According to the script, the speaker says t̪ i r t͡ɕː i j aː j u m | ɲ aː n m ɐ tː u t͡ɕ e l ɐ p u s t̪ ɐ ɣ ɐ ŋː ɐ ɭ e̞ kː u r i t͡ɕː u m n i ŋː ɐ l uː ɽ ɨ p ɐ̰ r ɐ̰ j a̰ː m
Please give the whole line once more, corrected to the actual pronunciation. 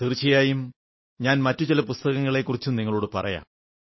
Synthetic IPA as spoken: t̪ i r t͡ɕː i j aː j u m | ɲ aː n m ɐ tː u t͡ɕ i l ɐ p u s t̪ ɐ ɣ ɐ ŋː ɐ ɭ e̞ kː u r i t͡ɕː u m n i ŋː ɐ ɭ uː ɽ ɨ p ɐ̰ r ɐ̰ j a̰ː m